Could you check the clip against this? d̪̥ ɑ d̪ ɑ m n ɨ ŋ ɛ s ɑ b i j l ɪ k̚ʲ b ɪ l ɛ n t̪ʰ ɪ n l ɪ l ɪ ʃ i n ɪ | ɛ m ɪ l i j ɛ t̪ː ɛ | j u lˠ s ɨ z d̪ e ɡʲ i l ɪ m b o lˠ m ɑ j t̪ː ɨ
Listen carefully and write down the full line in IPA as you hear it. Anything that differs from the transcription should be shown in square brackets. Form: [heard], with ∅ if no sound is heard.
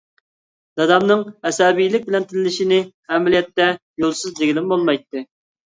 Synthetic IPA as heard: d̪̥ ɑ d̪ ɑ m n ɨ ŋ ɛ s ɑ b i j l ɪ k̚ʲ b ɪ l ɛ n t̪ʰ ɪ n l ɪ l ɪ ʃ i n ɪ | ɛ m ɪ l i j ɛ t̪ː ɛ | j [o] lˠ s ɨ z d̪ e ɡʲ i l ɪ m b o lˠ m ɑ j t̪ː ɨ